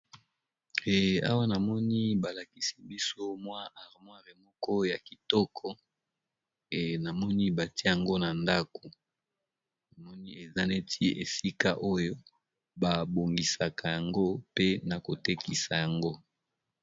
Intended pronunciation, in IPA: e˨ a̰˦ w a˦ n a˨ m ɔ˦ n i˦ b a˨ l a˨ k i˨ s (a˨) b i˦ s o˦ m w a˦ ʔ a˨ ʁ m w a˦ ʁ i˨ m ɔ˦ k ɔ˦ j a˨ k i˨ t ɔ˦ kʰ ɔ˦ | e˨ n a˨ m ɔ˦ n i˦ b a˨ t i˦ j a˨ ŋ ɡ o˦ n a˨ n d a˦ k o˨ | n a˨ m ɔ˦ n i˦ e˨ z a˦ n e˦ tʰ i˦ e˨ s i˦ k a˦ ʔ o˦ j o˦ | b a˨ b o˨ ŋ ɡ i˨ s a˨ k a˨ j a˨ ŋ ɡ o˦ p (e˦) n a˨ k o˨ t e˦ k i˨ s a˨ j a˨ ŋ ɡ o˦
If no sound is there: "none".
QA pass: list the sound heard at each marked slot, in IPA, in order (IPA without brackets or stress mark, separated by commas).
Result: i˨, e˦